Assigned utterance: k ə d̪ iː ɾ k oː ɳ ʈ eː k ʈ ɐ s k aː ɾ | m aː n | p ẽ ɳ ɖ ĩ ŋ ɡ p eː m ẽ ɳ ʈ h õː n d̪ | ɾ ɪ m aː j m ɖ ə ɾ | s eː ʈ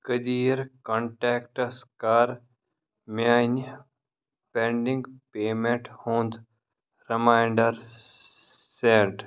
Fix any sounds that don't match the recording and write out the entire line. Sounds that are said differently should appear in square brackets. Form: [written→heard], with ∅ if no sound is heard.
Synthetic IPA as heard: k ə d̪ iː ɾ k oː ɳ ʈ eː k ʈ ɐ s k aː ɾ | m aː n | p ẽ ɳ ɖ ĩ ŋ ɡ p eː m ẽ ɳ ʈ h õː n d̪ | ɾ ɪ m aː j [m→ɳ] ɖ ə ɾ | s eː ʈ

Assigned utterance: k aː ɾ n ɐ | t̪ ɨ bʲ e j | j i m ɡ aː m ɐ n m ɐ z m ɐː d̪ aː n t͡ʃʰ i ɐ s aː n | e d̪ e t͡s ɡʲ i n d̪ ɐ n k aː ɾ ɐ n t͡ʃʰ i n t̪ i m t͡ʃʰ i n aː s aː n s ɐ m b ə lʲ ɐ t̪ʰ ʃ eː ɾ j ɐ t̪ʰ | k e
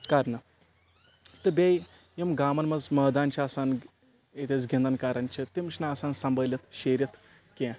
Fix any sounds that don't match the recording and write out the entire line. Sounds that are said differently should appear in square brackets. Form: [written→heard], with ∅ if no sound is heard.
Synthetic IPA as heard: k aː ɾ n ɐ | t̪ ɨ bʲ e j | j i m ɡ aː m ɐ n m ɐ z m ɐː d̪ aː n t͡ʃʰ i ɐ s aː n | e [d̪→t̪] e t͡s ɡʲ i n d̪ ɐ n k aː ɾ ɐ n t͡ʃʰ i [n→∅] t̪ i m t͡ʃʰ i n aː s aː n s ɐ m b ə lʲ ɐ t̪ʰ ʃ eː ɾ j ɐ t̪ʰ | k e

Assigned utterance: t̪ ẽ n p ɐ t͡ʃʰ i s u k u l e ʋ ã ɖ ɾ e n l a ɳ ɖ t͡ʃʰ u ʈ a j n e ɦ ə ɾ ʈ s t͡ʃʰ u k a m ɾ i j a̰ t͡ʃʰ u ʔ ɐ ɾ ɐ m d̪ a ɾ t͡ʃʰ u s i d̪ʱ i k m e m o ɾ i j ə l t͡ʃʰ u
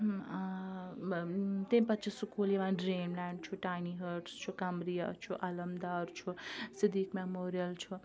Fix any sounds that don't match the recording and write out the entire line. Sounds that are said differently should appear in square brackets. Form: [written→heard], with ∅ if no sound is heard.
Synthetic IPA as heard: t̪ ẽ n p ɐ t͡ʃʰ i s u k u l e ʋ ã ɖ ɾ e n l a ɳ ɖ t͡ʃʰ u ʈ a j n [e→i] ɦ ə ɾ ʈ s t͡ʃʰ u k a m ɾ i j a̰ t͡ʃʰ u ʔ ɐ [ɾ→l] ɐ m d̪ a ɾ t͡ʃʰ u s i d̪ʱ i k m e m o ɾ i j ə l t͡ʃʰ u

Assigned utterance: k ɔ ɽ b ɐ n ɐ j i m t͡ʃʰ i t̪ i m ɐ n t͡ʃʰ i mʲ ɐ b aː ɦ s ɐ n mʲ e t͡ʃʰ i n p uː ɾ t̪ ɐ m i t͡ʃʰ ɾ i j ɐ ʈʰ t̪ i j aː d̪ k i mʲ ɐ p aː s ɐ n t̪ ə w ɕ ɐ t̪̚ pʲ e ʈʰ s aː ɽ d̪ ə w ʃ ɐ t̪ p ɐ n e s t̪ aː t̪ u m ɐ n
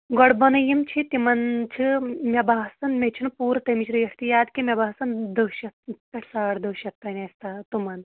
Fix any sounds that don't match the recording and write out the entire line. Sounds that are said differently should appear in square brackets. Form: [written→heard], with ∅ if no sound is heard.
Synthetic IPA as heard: [k→ɡ] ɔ ɽ b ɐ n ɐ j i m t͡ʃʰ i t̪ i m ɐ n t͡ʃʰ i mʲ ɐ b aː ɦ s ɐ n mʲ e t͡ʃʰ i n p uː ɾ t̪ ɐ m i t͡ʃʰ ɾ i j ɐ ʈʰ t̪ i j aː d̪ k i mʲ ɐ [p→b] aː s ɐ n [t̪→d̪] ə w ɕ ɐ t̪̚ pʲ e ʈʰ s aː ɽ d̪ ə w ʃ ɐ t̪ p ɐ n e s t̪ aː t̪ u m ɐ n

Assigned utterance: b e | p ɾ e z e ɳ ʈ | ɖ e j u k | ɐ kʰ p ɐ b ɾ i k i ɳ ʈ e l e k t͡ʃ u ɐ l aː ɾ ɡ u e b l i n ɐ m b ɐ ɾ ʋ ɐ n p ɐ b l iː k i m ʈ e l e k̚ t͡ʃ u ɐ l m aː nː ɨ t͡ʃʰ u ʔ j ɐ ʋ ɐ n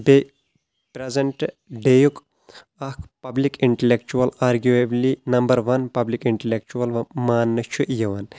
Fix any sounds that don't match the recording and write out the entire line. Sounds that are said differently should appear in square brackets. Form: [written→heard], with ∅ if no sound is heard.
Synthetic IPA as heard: b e | p ɾ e z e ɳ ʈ | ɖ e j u k | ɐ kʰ p ɐ b [ɾ→l] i k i ɳ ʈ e l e k t͡ʃ u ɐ l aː ɾ ɡ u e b l i n ɐ m b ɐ ɾ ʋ ɐ n p ɐ b l [iː→i] k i [m→ɳ] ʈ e l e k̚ t͡ʃ u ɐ l m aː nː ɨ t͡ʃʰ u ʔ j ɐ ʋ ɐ n

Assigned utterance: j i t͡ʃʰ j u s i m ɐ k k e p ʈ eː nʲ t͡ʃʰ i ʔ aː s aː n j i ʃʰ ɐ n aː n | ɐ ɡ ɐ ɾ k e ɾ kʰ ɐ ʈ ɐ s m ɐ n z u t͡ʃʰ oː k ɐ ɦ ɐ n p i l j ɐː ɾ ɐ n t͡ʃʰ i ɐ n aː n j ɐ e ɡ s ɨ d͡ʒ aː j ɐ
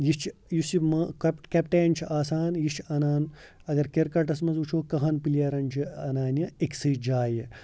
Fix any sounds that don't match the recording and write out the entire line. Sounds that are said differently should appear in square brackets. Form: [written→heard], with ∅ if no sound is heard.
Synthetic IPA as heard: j i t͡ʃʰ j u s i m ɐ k k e p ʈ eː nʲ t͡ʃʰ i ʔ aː s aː n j i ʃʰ ɐ n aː n | ɐ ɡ ɐ ɾ k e ɾ [kʰ→k] ɐ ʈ ɐ s m ɐ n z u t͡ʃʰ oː k ɐ ɦ ɐ n p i l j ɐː ɾ ɐ n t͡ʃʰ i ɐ n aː n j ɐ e [ɡ→k] s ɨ d͡ʒ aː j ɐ

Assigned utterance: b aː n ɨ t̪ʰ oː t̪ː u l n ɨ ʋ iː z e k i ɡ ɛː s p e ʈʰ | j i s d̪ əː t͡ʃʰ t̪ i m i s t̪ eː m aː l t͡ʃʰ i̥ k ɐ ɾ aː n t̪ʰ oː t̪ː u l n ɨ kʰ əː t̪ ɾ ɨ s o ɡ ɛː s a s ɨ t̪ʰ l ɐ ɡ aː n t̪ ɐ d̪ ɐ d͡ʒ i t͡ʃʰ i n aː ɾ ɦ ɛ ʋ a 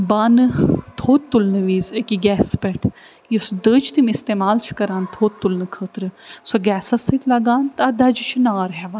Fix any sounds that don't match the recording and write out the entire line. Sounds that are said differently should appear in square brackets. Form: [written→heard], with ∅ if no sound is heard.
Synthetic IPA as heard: b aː n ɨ t̪ʰ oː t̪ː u l n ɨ ʋ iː z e k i ɡ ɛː s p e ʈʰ | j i s d̪ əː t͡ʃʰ t̪ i m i s t̪ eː m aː l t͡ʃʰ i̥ k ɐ ɾ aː n t̪ʰ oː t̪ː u l n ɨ kʰ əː t̪ ɾ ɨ s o ɡ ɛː s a s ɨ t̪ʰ l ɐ ɡ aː n t̪ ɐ d̪ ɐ d͡ʒ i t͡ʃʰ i n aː ɾ ɦ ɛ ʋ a

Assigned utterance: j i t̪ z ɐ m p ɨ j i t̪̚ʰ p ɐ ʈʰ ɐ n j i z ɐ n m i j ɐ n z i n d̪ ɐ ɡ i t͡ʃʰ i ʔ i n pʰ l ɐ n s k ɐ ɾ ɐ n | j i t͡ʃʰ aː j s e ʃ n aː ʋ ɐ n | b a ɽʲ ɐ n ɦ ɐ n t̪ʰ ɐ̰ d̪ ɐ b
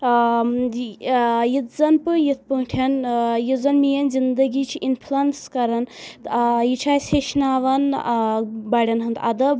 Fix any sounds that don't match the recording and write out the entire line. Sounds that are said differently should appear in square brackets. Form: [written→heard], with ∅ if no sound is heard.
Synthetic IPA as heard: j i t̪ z ɐ [m→n] p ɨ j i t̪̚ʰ p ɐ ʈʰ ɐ n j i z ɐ n m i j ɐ n z i n d̪ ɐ ɡ i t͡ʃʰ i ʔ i n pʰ l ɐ n s k ɐ ɾ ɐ n | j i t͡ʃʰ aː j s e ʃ n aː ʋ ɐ n | b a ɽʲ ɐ n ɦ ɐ n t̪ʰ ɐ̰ d̪ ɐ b

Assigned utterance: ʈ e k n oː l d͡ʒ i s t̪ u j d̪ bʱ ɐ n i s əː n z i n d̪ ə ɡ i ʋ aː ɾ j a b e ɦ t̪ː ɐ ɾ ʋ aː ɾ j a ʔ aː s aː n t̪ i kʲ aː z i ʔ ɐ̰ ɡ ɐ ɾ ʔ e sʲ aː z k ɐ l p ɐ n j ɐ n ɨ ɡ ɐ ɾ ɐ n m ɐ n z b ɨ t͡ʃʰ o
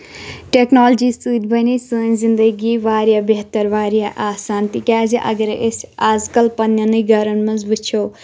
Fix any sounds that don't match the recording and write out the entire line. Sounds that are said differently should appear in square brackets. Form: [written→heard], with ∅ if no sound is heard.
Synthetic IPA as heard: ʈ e k n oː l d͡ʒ i s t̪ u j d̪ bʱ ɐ n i s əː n z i n d̪ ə ɡ i ʋ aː ɾ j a b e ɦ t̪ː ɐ ɾ ʋ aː ɾ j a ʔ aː s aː n t̪ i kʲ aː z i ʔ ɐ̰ ɡ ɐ ɾ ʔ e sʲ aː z k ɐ l p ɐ n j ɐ n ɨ ɡ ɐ ɾ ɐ n m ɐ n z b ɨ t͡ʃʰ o

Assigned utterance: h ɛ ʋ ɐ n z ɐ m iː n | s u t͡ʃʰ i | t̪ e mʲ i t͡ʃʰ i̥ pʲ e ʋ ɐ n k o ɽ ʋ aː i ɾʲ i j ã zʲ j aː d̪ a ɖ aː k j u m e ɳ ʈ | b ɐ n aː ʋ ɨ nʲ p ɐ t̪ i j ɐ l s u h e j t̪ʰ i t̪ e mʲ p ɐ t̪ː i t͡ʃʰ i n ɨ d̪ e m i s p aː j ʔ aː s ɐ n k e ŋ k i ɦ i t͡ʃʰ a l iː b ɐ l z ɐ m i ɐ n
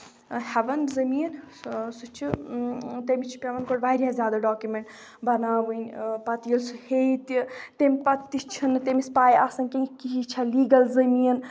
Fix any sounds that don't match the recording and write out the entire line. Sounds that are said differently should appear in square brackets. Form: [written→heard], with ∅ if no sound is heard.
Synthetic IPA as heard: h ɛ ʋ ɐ n z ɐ m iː n | s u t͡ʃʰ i | t̪ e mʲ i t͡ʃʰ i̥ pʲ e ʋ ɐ n k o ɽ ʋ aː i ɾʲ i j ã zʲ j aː d̪ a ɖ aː k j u m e ɳ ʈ | b ɐ n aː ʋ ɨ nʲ p ɐ t̪ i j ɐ l s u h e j [t̪ʰ→t̪] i t̪ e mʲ p ɐ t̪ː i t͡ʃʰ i n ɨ [d̪→t̪] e m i s p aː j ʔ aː s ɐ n k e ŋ k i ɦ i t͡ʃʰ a l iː [b→ɡ] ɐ l z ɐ m i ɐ n

